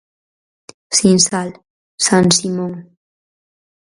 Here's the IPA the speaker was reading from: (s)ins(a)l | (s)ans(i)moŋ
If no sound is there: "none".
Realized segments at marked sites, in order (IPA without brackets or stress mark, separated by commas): s, a, s, i